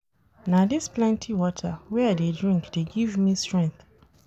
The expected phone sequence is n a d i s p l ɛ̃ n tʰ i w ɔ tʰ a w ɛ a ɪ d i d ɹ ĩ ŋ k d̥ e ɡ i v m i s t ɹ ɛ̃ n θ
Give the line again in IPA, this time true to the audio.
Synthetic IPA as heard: n a d i s p l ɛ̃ n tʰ i w ɔ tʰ a w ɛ a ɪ d e d ɹ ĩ ŋ k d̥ e ɡ i v m i s t ɹ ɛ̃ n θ